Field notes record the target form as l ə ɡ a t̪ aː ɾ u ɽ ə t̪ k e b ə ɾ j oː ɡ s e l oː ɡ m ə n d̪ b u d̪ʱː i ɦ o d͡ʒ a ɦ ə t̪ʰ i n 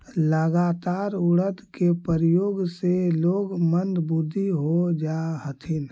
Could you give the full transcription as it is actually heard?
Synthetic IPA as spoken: l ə ɡ a t̪ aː ɾ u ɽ ə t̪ k e p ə ɾ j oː ɡ s e l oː ɡ m ə n d̪ b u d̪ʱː i ɦ o d͡ʒ a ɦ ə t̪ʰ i n